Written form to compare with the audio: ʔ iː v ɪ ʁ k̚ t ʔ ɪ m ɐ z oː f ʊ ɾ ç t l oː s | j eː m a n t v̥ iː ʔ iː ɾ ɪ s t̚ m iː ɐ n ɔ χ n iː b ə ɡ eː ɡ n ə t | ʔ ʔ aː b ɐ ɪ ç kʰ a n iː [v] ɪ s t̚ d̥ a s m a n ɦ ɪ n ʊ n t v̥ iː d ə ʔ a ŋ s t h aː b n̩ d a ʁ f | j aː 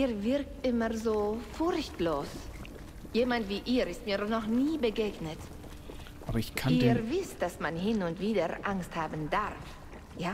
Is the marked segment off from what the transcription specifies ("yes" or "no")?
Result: no